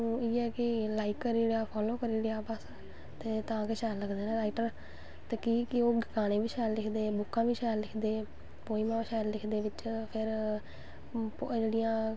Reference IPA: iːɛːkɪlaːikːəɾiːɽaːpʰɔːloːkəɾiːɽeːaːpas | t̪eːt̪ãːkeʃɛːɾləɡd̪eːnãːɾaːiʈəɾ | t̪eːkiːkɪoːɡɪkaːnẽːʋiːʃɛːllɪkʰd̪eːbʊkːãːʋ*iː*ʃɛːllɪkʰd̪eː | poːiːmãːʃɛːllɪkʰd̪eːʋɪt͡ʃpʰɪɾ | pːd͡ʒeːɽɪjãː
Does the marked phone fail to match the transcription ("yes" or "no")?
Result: no